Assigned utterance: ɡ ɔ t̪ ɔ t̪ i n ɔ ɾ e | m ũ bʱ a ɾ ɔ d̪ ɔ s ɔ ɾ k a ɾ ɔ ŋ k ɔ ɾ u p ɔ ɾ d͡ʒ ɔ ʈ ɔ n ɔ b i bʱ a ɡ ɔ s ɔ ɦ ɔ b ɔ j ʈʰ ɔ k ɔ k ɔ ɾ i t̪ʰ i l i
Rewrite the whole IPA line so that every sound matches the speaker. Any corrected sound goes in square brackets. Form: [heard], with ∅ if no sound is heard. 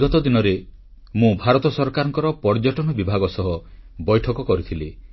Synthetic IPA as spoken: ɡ ɔ t̪ ɔ [d̪] i n ɔ ɾ e | m ũ bʱ a ɾ ɔ [t̪] ɔ s ɔ ɾ k a ɾ ɔ ŋ k ɔ ɾ [ɔ] p ɔ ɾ d͡ʒ ɔ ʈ ɔ n ɔ b i bʱ a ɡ ɔ s ɔ ɦ ɔ b ɔ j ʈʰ ɔ k ɔ k ɔ ɾ i t̪ʰ i l i